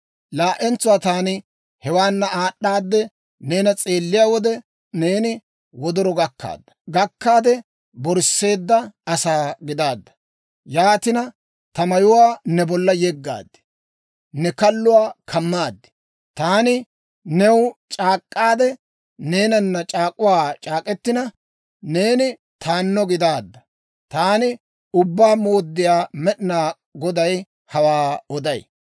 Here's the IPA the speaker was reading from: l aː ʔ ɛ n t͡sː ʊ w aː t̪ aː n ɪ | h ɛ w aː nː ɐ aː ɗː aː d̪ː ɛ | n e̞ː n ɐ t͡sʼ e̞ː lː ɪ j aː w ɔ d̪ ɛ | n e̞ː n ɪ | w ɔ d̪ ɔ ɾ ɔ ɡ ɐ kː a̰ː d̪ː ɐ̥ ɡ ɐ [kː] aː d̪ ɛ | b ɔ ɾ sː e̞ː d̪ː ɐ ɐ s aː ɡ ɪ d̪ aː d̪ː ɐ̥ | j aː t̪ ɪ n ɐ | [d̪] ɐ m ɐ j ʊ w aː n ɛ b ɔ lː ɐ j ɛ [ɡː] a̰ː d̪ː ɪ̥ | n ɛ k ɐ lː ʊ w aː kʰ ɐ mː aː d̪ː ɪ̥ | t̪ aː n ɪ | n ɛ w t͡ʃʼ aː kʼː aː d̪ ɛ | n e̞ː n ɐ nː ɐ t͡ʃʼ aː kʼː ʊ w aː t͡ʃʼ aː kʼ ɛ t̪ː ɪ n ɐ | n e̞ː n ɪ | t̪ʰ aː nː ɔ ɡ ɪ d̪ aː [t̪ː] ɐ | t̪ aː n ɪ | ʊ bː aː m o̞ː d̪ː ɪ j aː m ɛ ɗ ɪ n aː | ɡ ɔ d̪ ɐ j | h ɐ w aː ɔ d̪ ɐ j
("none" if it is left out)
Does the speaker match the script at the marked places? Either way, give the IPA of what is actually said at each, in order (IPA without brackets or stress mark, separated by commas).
kː, t̪, ɡː, d̪ː